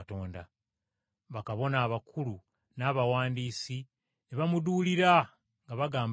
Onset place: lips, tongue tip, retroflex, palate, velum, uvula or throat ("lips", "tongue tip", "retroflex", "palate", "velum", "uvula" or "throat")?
tongue tip